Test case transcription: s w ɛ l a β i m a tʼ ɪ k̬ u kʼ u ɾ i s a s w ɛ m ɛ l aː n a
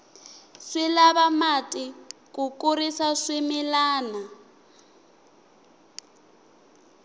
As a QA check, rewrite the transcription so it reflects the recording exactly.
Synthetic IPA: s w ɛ l a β a m a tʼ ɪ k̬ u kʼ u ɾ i s a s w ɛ m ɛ l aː n a